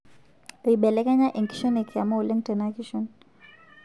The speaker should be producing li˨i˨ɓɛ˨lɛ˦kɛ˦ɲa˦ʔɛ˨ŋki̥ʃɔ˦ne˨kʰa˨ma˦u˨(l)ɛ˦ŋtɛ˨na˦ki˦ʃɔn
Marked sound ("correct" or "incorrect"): correct